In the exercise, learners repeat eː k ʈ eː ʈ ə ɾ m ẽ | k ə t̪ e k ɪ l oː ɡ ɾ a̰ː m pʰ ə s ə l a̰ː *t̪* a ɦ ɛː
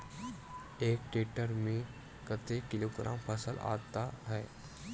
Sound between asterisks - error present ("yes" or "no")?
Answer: no